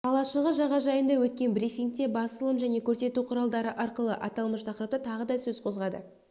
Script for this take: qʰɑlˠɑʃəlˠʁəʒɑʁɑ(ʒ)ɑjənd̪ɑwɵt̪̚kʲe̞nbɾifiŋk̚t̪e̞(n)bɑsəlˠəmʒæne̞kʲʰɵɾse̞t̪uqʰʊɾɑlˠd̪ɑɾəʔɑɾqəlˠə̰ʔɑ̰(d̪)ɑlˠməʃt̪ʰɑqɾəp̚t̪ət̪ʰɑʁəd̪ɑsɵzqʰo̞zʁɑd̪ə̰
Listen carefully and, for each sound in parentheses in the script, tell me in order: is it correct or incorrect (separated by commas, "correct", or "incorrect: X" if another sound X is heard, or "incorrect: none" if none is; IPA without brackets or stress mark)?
correct, incorrect: none, incorrect: t̪